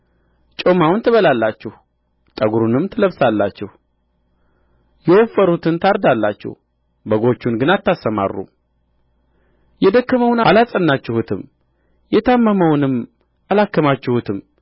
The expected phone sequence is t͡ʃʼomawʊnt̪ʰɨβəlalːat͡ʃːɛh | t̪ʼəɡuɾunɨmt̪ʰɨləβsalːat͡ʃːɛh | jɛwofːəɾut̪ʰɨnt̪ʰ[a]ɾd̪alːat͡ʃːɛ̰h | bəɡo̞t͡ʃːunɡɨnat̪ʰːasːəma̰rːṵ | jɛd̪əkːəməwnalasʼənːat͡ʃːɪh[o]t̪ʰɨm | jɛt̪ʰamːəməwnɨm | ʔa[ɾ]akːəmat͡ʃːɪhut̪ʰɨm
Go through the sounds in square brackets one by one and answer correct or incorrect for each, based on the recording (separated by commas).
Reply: correct, incorrect, incorrect